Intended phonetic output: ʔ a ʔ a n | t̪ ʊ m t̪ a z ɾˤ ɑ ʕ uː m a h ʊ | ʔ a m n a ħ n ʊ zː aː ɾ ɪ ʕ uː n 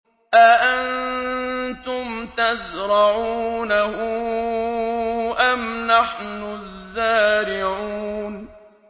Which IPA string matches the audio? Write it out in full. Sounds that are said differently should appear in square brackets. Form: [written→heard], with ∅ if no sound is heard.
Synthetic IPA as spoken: ʔ a ʔ a n | t̪ ʊ m t̪ a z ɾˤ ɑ ʕ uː [m→n] a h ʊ | ʔ a m n a ħ n ʊ zː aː ɾ ɪ ʕ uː n